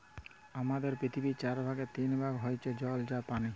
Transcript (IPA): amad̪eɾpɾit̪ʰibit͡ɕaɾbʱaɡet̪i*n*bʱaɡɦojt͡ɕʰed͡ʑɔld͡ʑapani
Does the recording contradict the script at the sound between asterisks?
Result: no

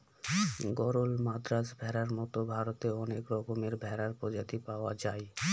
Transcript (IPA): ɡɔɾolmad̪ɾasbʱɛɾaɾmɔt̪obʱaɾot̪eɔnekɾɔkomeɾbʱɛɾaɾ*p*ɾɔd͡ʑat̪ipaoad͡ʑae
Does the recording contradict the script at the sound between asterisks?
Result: no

